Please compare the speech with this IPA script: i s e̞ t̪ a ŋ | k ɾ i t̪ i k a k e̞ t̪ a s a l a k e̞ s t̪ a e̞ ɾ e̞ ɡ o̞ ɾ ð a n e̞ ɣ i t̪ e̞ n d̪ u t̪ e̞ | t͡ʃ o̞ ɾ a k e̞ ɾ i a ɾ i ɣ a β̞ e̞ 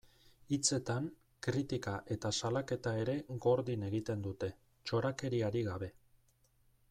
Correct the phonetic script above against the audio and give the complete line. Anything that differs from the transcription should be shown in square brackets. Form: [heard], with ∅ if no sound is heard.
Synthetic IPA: i [t͡s] e̞ t̪ a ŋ | k ɾ i t̪ i k a [ʔ] e̞ t̪ a s a l a k e̞ [∅] t̪ a e̞ ɾ e̞ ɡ o̞ ɾ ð [i] n e̞ ɣ i t̪ e̞ n d̪ u t̪ e̞ | t͡ʃ o̞ ɾ a k e̞ ɾ i a ɾ i ɣ a β̞ e̞